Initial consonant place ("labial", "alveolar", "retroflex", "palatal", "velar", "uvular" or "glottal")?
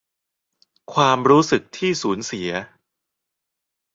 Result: velar